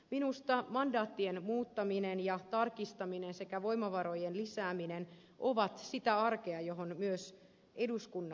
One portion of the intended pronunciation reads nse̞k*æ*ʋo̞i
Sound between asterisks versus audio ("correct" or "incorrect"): correct